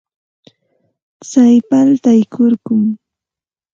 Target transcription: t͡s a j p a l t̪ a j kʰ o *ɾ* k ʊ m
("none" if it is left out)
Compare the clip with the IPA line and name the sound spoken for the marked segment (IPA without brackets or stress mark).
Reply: ɾ